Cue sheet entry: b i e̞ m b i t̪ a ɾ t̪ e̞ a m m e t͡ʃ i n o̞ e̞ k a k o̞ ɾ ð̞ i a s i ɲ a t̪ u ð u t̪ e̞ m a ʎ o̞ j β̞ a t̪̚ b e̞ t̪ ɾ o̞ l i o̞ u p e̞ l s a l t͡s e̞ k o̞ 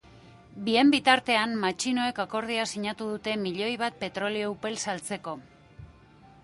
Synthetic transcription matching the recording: b i e̞ m b i t̪ a ɾ t̪ e̞ a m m a t͡ʃ i n o̞ e̞ k a k o̞ ɾ ð̞ i a s i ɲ a t̪ u ð u t̪ e̞ m i ʎ o̞ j β̞ a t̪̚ p e̞ t̪ ɾ o̞ l i o̞ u p e̞ l s a l t͡s e̞ k o̞